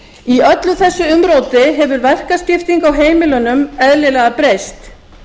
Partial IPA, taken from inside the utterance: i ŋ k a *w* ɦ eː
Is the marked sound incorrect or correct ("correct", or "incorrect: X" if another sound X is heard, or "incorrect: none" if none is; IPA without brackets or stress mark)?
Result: correct